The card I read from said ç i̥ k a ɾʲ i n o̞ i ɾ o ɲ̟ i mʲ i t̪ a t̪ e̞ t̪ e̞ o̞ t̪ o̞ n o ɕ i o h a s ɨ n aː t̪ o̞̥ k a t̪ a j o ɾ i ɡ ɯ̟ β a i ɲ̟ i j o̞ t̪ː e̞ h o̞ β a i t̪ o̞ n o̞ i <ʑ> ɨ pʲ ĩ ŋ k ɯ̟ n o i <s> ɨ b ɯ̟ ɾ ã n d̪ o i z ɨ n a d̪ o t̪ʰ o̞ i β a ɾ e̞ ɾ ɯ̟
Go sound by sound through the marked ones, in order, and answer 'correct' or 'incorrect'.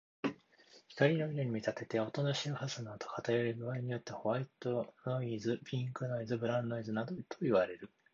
incorrect: z, incorrect: z

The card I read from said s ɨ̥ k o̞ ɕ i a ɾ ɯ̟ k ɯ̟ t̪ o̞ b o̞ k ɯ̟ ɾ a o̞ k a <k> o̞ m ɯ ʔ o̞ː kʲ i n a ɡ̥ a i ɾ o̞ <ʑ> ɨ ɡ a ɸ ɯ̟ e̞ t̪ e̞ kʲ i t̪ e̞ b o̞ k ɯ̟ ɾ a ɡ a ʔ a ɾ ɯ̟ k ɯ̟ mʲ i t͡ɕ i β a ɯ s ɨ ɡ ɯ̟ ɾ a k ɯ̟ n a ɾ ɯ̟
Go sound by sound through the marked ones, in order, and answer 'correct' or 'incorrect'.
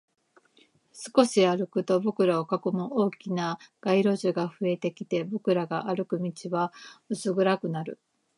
correct, correct

